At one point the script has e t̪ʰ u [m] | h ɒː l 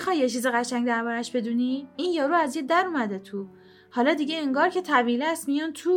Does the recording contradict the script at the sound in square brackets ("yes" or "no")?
yes